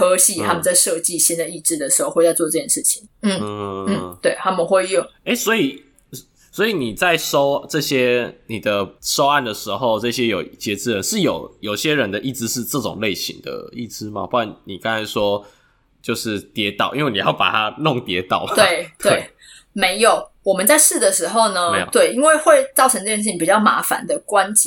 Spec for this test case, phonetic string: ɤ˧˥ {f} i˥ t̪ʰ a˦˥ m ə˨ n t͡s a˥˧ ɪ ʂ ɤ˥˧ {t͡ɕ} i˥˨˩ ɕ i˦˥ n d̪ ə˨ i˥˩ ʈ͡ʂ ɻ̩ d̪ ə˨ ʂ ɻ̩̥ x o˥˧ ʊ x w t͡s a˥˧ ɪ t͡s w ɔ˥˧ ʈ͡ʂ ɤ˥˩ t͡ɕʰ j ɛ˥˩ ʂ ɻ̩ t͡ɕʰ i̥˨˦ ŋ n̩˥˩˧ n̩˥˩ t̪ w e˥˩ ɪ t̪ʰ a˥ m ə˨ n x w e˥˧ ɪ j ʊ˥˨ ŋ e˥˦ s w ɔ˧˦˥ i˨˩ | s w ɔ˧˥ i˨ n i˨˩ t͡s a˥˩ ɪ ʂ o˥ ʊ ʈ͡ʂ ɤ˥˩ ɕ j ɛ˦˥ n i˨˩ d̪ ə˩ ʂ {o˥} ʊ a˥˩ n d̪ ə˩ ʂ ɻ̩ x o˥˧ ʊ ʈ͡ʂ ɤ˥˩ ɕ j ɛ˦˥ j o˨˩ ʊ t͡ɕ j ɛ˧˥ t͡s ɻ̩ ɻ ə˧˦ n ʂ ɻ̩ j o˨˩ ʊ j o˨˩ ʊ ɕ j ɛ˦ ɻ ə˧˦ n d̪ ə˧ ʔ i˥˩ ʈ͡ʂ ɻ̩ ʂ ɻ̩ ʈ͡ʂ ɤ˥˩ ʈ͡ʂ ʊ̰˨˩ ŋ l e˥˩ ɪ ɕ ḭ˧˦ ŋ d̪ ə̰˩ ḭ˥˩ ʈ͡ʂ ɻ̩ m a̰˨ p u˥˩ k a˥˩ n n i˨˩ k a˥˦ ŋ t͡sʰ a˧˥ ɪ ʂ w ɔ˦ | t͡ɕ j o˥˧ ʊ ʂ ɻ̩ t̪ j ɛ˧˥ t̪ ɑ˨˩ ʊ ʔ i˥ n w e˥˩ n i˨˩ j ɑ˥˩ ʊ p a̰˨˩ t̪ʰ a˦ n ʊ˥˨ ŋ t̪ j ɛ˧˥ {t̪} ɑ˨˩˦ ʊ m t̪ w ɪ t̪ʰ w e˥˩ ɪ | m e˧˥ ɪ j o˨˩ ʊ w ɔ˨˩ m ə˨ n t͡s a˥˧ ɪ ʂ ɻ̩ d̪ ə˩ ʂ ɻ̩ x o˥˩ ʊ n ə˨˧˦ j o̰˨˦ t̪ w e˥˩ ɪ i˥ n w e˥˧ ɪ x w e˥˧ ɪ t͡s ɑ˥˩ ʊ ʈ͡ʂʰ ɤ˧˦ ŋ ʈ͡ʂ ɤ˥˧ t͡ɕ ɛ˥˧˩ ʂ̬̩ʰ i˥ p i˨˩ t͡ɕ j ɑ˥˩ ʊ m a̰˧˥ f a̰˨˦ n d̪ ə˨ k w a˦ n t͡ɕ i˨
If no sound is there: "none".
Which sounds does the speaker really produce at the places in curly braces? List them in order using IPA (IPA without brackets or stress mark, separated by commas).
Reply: ɕ, t͡ɕ, o˥, t̪